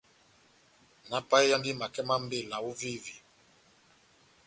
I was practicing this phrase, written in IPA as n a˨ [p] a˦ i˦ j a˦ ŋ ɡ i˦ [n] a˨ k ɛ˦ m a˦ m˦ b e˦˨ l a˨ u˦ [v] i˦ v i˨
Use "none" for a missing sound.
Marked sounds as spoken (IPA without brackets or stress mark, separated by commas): p, m, v